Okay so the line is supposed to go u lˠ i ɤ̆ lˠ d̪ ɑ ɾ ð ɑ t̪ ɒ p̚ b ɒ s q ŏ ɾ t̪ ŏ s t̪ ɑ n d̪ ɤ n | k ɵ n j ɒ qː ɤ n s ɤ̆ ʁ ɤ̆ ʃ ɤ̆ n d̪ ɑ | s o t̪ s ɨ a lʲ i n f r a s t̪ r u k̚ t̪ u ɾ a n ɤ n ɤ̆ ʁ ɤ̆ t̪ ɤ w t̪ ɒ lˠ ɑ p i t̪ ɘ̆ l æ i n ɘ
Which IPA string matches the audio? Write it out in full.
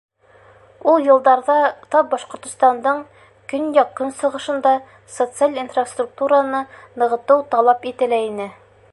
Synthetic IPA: u lˠ j ɤ̆ lˠ d̪ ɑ ɾ ð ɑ t̪ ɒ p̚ b ɒ ʃ q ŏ ɾ t̪ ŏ s t̪ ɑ n d̪ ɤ ɴ | k ɵ n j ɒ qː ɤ n s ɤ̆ ʁ ɤ̆ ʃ ɤ̆ n d̪ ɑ | s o t̪ s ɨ a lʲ i n f r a s t̪ r u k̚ t̪ u ɾ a n ɤ n ɤ̆ ʁ ɤ̆ t̪ ɤ w t̪ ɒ lˠ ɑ p i t̪ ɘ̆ l æ i n ɘ